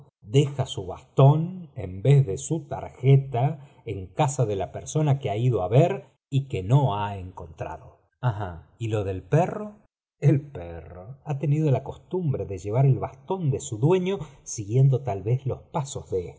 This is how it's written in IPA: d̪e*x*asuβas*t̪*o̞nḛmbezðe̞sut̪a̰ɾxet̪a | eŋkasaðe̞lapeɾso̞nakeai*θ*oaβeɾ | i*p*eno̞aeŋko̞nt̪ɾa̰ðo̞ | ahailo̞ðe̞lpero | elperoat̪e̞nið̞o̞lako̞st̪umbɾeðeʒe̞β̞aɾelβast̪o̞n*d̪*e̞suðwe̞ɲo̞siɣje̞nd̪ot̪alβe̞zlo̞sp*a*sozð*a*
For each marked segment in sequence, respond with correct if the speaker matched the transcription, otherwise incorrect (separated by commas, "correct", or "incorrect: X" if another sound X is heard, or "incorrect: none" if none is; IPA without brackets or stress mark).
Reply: correct, correct, incorrect: ð, incorrect: k, correct, correct, incorrect: e